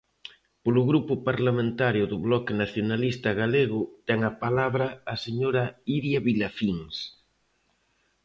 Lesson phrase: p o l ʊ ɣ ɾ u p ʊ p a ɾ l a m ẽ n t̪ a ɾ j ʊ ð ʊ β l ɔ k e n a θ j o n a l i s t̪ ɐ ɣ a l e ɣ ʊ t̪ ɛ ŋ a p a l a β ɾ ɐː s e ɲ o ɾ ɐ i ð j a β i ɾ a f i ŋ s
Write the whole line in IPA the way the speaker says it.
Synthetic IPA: p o l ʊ ɣ ɾ u p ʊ p a ɾ l a m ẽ n t̪ a ɾ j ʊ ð ʊ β l ɔ k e n a θ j o n a l i s t̪ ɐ ɣ a l e ɣ ʊ t̪ ɛ ŋ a p a l a β ɾ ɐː s e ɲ o ɾ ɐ i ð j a β i l a f i ŋ s